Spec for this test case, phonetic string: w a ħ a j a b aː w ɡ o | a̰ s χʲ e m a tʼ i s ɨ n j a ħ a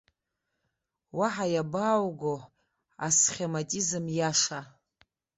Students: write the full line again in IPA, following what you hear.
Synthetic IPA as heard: w a ħ a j a b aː w ɡ o | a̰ s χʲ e m a tʼ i z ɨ m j a ʂ a